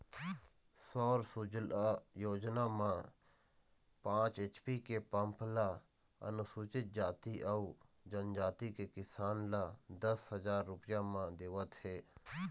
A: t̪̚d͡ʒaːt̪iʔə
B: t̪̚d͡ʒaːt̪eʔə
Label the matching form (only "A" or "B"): A